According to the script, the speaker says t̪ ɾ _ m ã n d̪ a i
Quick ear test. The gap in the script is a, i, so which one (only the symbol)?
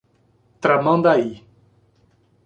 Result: a